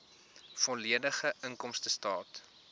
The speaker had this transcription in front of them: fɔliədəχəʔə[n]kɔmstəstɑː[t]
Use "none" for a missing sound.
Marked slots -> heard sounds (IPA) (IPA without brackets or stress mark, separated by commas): ŋ, t